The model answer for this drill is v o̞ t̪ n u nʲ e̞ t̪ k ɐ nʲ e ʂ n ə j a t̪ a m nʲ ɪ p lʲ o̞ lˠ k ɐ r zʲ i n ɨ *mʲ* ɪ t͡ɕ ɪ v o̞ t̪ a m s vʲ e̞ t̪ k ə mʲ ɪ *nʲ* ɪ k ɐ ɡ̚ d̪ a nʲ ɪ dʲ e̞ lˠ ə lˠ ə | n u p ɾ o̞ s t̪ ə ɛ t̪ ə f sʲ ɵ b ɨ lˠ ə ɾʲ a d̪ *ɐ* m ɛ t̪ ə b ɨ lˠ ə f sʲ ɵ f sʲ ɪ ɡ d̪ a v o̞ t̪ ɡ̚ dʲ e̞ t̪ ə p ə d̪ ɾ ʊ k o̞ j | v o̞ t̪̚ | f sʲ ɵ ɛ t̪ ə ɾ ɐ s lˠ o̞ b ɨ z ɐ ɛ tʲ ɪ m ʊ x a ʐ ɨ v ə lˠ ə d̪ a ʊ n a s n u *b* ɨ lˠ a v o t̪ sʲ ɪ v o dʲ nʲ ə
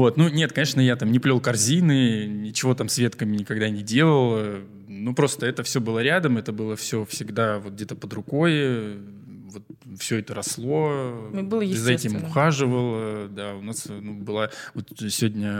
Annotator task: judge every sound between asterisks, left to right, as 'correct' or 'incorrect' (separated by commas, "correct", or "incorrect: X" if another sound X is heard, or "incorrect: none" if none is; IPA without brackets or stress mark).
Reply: incorrect: nʲ, correct, incorrect: ə, correct